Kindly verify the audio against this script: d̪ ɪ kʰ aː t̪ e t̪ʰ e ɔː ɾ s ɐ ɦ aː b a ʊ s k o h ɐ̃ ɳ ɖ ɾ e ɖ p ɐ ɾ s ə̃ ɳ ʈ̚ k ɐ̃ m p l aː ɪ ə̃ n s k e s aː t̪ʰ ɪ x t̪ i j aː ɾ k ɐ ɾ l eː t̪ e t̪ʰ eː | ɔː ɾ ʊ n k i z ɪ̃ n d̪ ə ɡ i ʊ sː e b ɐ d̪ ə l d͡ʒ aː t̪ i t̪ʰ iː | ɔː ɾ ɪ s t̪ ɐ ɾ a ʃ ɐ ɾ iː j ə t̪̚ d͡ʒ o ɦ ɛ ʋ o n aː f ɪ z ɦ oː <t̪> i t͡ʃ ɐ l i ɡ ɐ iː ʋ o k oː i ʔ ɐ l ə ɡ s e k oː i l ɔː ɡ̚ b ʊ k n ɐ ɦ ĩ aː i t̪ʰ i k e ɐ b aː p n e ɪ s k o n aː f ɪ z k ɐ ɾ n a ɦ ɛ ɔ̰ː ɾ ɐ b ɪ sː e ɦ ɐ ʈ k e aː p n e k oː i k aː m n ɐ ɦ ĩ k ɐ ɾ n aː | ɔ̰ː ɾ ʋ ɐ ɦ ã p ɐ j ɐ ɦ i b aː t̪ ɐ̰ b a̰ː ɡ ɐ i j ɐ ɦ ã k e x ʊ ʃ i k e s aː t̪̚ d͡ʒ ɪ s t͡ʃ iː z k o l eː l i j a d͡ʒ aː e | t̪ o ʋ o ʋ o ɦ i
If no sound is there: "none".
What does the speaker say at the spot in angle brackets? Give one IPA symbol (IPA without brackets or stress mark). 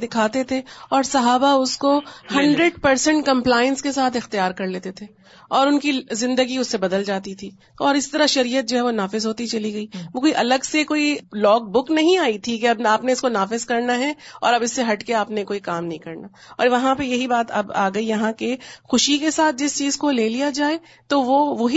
t̪